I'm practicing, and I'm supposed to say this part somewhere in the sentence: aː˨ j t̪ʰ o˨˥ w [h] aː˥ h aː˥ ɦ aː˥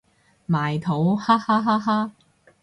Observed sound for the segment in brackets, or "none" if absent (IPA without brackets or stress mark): h